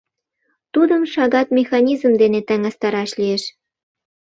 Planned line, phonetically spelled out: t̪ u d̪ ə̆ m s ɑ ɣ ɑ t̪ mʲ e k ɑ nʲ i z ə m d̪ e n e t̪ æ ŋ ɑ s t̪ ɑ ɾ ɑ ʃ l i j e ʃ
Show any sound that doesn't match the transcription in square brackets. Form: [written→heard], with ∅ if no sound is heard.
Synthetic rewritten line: t̪ u d̪ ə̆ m [s→ʃ] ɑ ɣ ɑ t̪ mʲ e [k→x] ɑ nʲ i z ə m d̪ e n e t̪ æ ŋ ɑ s t̪ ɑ ɾ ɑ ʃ l i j e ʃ